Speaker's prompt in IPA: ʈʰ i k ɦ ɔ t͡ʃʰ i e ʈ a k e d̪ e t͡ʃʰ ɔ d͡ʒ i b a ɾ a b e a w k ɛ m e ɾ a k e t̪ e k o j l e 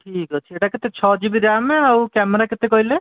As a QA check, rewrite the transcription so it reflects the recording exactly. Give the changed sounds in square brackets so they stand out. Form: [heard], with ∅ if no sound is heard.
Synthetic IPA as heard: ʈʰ i k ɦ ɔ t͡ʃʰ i e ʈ a k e [t̪] e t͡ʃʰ ɔ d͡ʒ i b [i] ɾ a [m] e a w k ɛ m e ɾ a k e t̪ e k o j l e